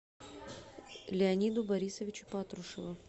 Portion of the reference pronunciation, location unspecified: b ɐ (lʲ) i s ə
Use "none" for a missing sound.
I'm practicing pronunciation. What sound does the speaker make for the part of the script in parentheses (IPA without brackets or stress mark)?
ɾʲ